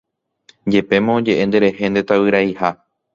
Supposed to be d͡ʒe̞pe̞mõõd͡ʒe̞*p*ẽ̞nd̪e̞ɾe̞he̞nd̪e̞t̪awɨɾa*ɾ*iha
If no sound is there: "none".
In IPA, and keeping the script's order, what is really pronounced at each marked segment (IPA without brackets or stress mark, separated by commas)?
ʔ, none